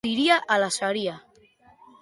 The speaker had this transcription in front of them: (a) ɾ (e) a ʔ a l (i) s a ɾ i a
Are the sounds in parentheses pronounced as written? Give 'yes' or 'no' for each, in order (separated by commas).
no, no, no